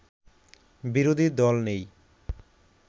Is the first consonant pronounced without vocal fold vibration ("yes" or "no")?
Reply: no